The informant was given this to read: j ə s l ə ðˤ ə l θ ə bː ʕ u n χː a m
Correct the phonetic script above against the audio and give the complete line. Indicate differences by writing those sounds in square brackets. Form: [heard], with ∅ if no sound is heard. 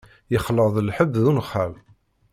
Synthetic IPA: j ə [χ] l ə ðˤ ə l [ħ] ə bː [ð] u n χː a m